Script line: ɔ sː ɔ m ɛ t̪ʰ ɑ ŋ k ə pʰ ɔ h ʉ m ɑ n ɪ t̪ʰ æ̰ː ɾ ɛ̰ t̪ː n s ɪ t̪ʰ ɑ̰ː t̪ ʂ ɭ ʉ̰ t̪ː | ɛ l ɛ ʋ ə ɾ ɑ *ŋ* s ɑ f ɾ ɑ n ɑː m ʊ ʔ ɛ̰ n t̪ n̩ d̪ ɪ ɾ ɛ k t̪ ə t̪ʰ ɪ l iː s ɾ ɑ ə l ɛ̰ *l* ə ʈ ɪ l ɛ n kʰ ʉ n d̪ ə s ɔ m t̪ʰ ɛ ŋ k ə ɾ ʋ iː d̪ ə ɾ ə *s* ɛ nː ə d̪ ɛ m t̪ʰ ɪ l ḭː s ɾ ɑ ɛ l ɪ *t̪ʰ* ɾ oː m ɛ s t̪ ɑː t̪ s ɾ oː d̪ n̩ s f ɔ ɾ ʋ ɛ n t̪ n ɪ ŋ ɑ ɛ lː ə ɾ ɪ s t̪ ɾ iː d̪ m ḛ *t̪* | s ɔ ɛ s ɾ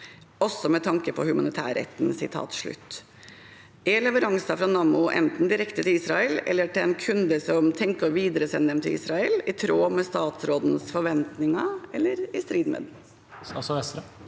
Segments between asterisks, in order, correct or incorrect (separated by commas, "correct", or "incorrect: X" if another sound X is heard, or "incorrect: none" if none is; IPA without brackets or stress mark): correct, incorrect: lː, correct, correct, incorrect: d̪